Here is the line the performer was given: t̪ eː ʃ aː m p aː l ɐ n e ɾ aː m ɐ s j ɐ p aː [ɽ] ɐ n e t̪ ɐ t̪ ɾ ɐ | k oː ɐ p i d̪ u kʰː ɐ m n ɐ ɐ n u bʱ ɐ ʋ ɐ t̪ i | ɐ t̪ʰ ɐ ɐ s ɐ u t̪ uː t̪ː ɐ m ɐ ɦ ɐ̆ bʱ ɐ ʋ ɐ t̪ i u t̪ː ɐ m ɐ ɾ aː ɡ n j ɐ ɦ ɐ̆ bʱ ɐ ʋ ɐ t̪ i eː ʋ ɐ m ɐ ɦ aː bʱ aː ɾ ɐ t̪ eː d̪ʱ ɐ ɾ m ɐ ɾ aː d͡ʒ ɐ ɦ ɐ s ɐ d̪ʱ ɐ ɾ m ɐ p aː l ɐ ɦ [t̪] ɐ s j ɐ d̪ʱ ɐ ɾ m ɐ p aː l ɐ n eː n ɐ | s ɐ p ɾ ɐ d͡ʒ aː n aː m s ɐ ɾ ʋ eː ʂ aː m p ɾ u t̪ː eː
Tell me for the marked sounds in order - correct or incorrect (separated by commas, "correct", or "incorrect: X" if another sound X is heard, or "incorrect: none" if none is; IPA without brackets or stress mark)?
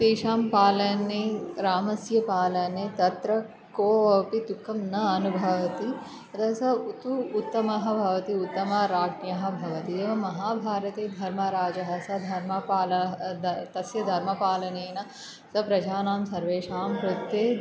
incorrect: l, correct